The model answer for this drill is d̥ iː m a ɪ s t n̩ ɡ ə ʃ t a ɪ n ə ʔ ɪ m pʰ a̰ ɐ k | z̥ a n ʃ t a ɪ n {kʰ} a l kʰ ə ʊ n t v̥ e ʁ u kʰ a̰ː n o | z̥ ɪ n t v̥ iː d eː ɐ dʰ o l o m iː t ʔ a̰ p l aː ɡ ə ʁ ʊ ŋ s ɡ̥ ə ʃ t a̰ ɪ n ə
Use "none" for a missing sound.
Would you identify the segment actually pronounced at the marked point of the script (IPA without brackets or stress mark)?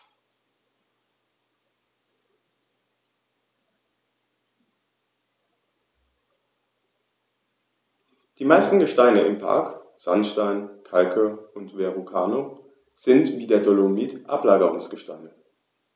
kʰ